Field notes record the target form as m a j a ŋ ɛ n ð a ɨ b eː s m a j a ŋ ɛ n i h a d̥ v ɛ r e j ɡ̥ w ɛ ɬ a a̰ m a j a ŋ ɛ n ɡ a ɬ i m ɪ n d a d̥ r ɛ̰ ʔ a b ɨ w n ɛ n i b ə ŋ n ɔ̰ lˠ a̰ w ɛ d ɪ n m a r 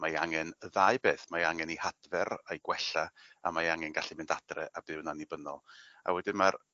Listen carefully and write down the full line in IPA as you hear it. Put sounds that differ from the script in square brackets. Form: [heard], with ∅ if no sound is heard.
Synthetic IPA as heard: m a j a ŋ ɛ n ð a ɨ b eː [θ] m a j a ŋ ɛ n i h a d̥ v ɛ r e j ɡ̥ w ɛ ɬ a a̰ m a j a ŋ ɛ n ɡ a ɬ i m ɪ n d a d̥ r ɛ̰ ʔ a b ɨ w n [a] n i b ə [∅] n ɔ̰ lˠ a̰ w ɛ d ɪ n m a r